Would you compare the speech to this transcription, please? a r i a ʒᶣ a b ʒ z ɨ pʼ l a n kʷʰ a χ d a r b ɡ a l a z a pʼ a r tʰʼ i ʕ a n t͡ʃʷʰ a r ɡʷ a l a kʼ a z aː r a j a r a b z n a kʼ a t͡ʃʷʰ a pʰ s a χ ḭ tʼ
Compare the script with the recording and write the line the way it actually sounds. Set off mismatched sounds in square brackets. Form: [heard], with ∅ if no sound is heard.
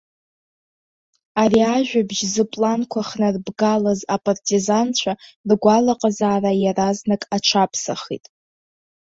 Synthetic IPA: a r i a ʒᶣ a b ʒ z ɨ pʼ l a n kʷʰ a χ [n] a r b ɡ a l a z a pʼ a r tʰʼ i [z] a n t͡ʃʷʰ a r ɡʷ a l a [qʼ] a z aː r a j a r a [∅] z n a kʼ a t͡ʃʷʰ a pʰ s a χ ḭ tʼ